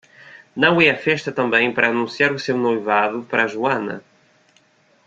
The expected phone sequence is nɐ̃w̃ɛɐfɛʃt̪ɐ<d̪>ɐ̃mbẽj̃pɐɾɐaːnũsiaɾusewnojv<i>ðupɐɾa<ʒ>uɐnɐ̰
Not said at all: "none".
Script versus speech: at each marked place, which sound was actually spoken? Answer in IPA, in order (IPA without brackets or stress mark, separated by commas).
t̪, a, ʒ